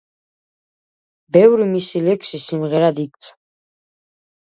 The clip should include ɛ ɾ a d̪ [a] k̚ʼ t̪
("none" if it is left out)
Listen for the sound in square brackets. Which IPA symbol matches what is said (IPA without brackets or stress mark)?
i